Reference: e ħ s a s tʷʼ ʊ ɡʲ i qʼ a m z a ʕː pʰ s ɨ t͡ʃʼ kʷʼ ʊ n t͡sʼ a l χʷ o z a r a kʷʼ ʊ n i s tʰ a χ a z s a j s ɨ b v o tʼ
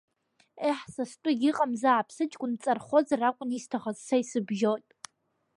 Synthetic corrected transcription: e ħ s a s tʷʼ ʊ ɡʲ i qʼ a m z a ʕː pʰ s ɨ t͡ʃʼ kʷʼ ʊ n t͡sʼ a r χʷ o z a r a kʷʼ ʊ n i s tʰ a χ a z s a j s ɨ b ʒ o tʼ

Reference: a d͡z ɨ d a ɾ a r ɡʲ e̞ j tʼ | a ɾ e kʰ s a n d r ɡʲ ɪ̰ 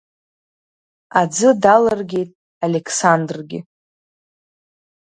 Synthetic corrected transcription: a d͡z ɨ d a l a r ɡʲ e̞ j tʼ | a l e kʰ s a n d r ɡʲ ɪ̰

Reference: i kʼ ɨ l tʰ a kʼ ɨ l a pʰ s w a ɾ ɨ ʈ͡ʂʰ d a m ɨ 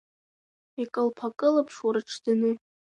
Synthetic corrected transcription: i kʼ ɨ l pʰ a kʼ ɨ l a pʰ ʂ w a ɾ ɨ ʈ͡ʂʰ d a n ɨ

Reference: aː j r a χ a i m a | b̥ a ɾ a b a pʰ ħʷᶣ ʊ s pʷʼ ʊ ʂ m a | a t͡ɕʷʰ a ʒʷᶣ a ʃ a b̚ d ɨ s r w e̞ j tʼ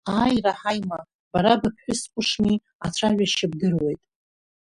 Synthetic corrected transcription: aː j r a ħ a j m a | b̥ a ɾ a b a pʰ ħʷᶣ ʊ s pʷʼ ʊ ʂ m i | a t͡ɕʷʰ a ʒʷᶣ a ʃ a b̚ d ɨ r w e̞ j tʼ

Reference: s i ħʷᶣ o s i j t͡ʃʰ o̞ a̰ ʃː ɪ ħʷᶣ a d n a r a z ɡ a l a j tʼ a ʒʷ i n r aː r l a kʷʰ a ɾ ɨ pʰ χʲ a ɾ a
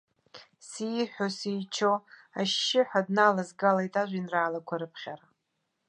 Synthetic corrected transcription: s i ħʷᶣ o s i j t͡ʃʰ o̞ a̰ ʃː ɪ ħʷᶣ a d n a l a z ɡ a l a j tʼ a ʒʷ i n r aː l a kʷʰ a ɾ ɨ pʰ χʲ a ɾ a

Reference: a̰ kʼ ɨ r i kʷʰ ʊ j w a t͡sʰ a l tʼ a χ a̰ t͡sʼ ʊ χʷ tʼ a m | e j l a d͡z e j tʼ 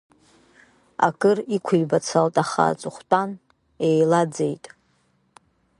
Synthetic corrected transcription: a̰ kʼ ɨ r i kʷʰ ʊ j b a t͡sʰ a l tʼ a χ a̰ t͡sʼ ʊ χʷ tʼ a n | e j l a d͡z e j tʼ

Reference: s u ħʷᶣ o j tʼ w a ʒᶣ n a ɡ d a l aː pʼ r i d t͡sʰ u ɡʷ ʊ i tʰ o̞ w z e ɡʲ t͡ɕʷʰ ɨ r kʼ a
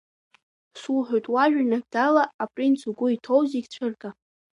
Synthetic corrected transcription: s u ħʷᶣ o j tʼ w a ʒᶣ n a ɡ d a l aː pʼ r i n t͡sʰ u ɡʷ ʊ i tʰ o̞ w z i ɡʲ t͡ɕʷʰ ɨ r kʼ a

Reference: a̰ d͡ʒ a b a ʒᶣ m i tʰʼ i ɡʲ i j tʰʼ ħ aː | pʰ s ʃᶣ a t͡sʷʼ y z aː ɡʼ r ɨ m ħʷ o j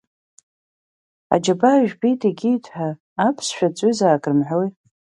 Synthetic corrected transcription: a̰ d͡ʒ a b a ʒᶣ b i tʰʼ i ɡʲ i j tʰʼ ħ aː | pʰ s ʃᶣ a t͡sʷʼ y z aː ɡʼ r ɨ m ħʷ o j

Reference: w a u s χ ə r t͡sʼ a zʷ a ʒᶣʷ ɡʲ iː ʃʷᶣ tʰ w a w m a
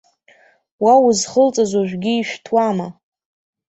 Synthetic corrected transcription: w a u z χ ə l t͡sʼ a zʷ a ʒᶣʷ ɡʲ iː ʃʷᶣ tʰ w a m a

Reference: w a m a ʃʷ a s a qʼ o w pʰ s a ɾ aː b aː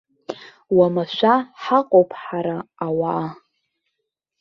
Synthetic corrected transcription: w a m a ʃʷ a ħ a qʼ o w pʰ ħ a ɾ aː w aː

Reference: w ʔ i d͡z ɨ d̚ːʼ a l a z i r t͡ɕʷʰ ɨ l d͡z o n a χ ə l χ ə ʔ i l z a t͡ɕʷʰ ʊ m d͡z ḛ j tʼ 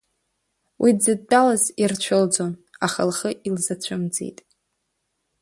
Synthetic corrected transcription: w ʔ i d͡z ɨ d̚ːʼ a l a z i r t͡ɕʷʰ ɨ l d͡z o n a χ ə l χ ə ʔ i l z a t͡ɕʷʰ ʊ m d͡z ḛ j tʼ

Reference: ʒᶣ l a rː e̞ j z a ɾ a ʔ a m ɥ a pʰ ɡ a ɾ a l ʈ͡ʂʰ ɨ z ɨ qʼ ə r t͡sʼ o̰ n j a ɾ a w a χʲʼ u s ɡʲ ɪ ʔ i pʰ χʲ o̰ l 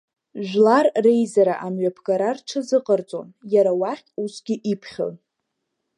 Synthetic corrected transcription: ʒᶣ l a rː e̞ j z a ɾ a ʔ a m ɥ a pʰ ɡ a ɾ a r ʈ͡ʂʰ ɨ z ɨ qʼ ə r t͡sʼ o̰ n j a ɾ a w a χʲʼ u s ɡʲ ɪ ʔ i pʰ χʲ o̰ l

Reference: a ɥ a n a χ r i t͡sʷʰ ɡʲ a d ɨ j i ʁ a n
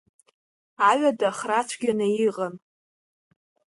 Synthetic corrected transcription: a ɥ a d a χ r a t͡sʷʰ ɡʲ a n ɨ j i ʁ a n

